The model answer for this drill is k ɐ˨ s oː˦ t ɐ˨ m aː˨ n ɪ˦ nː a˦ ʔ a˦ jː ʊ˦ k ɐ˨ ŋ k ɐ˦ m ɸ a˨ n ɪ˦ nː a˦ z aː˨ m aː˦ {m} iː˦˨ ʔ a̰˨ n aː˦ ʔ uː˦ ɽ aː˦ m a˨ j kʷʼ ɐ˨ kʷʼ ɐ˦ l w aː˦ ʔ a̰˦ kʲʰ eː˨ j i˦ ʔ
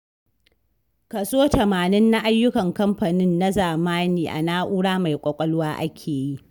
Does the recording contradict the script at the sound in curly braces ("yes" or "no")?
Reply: yes